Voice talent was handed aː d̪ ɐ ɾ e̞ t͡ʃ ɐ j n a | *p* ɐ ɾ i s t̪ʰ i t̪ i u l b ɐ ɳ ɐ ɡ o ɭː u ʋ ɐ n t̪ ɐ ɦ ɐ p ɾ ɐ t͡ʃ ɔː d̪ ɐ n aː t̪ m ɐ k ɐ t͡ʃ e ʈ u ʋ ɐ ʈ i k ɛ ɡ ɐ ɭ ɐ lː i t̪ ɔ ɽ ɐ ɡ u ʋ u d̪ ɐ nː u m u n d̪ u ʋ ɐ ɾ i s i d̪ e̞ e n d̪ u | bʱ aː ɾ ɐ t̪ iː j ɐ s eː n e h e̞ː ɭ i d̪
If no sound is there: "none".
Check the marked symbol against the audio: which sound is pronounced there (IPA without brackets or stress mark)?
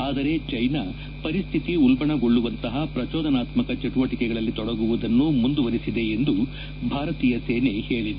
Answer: p